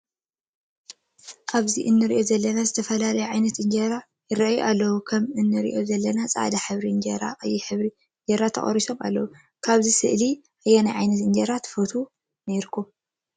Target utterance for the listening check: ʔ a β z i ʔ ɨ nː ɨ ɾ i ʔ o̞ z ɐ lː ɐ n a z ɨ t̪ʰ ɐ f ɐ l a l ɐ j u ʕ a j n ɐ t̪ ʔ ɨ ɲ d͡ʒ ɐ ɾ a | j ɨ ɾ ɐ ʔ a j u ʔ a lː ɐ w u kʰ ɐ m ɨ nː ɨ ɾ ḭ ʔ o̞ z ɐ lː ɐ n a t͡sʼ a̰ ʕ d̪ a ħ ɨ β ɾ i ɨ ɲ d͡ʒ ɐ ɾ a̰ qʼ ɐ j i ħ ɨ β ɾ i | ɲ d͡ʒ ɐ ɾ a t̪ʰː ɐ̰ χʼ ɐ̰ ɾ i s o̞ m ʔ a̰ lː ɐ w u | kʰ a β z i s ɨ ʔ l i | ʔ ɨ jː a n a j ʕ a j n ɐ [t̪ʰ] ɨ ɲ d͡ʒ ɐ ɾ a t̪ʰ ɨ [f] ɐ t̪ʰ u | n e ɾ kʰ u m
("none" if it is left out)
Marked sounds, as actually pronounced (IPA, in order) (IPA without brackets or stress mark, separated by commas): t̪, f